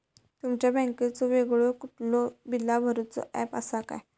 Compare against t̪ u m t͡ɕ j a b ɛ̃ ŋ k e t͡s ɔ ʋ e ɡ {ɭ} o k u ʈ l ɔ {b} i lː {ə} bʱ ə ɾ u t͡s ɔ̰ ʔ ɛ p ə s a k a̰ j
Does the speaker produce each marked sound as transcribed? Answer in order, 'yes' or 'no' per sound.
yes, yes, no

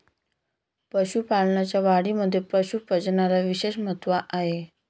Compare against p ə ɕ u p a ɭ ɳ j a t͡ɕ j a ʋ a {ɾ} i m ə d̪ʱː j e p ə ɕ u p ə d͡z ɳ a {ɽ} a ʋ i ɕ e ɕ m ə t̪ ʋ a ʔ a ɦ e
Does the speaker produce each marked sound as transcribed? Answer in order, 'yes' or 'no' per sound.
no, no

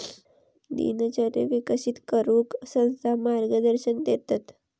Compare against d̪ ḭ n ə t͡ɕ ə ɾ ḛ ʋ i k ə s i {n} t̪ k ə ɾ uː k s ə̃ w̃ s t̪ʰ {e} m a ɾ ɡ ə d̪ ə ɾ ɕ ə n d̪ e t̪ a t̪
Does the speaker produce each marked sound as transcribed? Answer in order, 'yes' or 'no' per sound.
no, no

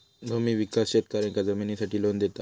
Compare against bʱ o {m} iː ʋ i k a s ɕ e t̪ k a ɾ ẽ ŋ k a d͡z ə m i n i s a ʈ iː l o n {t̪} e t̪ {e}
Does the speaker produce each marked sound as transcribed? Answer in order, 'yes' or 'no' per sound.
yes, no, no

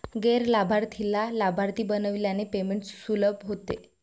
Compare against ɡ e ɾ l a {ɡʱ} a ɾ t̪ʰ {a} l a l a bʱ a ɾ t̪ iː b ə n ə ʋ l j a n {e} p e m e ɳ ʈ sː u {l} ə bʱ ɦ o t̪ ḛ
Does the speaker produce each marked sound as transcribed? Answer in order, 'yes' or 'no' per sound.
no, no, yes, yes

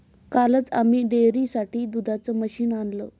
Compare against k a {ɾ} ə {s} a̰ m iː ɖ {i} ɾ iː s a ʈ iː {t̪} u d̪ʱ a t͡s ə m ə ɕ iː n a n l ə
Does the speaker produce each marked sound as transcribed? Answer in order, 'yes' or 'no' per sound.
no, no, no, no

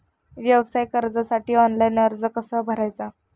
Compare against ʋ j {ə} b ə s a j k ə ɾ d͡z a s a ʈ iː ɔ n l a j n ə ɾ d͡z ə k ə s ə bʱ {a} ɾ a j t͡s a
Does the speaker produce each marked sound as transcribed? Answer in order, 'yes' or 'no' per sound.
yes, no

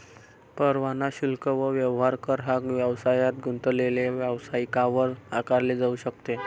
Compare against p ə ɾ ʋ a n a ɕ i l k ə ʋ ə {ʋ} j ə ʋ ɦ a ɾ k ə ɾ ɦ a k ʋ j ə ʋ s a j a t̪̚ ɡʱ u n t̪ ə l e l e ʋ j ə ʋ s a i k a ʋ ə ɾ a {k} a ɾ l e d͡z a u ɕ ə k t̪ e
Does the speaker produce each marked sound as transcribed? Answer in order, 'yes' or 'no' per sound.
yes, yes

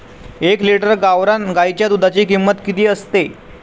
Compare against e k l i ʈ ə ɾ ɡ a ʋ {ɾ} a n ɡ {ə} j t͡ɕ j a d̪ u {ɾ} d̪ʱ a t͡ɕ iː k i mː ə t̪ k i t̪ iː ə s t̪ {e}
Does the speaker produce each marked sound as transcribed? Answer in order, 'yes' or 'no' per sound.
yes, no, no, yes

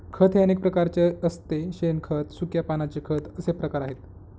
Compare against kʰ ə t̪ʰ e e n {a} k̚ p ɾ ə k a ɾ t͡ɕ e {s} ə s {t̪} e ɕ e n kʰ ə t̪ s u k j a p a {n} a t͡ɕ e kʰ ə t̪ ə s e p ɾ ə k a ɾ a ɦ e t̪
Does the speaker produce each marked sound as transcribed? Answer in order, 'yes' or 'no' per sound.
no, no, yes, yes

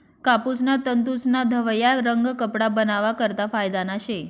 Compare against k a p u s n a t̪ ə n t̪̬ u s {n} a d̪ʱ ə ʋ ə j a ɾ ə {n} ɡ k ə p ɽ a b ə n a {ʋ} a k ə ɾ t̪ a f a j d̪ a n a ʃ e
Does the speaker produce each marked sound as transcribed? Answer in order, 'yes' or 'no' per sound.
yes, no, yes

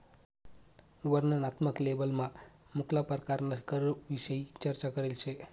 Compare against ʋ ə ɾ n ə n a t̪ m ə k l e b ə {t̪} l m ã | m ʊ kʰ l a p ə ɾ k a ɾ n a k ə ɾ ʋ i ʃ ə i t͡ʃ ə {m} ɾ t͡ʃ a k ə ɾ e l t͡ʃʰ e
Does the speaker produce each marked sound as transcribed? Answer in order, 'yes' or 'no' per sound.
no, no

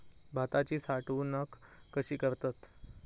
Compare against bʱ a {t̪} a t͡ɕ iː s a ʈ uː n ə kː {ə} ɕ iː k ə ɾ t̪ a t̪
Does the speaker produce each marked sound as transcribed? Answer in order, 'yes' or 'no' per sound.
yes, yes

